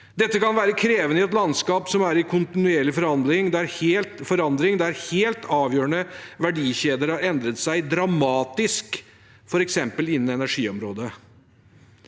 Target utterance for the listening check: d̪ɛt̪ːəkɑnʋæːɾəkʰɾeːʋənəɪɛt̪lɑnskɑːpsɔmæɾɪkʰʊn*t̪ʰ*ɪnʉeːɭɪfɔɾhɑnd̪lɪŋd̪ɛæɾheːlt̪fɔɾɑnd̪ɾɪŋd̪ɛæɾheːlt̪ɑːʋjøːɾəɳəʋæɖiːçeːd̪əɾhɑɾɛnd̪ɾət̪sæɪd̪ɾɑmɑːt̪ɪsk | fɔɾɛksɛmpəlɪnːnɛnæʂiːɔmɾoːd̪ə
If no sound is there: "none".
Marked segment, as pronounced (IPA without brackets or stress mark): t̪